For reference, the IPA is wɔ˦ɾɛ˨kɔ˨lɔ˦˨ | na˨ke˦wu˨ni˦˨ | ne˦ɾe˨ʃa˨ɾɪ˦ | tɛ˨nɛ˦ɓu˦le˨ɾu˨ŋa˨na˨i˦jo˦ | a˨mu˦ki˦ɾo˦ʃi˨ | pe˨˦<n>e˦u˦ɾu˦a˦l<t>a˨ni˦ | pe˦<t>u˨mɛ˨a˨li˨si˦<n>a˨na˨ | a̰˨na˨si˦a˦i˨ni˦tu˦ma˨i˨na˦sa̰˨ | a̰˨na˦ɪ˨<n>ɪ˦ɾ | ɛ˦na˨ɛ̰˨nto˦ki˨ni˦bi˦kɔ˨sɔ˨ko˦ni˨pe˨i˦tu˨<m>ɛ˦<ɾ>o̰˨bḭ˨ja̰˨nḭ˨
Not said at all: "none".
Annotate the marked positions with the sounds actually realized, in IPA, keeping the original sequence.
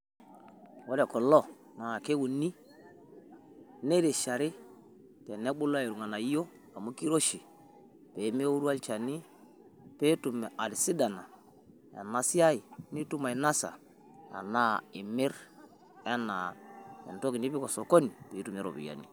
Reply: m, t͡ʃ, t, d, m, m, ɾ

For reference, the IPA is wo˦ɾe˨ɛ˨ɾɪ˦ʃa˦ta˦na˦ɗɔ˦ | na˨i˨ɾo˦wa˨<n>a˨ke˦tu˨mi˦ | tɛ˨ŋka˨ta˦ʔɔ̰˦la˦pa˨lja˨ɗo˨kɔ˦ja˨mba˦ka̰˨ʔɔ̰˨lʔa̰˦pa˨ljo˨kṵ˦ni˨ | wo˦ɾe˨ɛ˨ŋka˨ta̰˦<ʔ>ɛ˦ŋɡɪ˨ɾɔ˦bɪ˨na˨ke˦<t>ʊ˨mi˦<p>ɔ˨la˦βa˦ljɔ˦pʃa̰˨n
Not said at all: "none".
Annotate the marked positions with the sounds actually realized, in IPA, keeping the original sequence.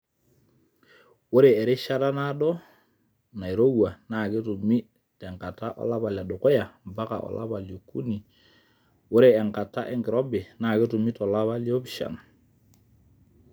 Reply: n, ʔ, t, t

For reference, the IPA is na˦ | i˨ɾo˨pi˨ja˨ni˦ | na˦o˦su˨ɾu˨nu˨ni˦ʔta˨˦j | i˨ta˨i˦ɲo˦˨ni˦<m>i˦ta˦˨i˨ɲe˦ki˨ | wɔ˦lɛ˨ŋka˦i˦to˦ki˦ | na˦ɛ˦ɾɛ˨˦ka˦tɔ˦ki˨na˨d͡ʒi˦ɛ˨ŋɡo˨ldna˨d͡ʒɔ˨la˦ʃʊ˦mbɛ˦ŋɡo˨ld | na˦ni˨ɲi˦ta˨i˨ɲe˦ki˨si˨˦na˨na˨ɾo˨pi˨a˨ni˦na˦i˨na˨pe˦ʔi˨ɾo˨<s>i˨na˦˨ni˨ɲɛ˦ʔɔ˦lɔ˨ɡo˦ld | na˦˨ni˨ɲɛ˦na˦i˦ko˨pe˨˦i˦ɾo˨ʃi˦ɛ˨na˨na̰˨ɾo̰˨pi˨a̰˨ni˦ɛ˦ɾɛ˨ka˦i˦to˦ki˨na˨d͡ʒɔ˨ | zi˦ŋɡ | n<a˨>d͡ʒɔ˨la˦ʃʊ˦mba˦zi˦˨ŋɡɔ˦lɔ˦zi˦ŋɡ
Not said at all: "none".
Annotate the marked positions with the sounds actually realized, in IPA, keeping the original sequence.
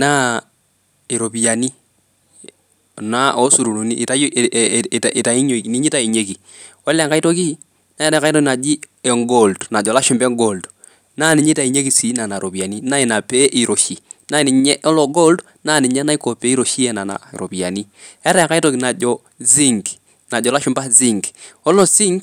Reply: ɲ, ʃ, a˨

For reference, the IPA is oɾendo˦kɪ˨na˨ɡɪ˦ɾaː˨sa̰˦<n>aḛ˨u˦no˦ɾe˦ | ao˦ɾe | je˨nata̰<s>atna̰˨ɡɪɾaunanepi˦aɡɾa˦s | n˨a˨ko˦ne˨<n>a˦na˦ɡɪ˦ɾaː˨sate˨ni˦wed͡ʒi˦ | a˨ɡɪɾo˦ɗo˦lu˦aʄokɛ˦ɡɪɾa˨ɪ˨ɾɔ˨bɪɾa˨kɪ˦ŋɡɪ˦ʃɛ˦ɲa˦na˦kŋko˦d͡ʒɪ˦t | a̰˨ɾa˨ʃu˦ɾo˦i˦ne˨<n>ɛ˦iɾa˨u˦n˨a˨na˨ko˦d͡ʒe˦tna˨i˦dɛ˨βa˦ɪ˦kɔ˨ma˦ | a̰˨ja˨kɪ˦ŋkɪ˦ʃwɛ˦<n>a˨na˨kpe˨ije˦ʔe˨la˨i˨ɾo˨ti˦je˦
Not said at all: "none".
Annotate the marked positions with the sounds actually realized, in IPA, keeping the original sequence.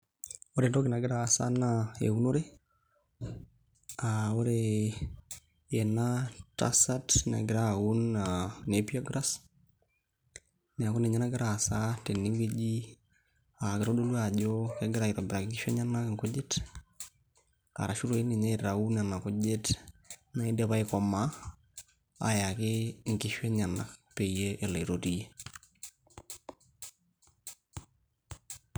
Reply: n, s, ɲ, ɲ, ɲ

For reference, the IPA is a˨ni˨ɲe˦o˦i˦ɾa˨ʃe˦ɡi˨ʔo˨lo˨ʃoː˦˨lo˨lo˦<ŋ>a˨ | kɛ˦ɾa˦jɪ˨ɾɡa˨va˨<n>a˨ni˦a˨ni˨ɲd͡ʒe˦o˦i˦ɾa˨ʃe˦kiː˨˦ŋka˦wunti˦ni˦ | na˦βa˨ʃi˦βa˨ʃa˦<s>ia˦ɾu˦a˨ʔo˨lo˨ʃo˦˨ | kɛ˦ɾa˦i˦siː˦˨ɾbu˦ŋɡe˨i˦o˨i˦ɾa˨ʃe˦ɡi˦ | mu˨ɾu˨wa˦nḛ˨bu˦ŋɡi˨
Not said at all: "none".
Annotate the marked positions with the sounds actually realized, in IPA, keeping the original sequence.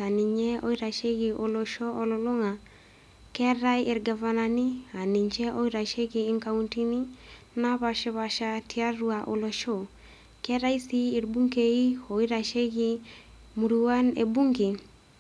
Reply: ŋ, n, t

